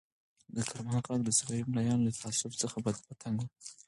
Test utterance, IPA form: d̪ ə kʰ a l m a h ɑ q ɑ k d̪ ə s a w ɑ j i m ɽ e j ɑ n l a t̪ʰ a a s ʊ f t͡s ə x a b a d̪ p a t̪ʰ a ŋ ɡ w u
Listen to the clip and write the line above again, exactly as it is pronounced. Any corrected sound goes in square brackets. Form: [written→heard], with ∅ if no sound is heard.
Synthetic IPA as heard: d̪ ə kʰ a [l→ɾ] m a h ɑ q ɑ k d̪ ə s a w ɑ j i m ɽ [e→a] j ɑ n l a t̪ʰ a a s ʊ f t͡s ə x a b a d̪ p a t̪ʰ a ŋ ɡ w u